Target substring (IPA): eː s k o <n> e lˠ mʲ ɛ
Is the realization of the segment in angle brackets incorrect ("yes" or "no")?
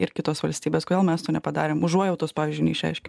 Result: yes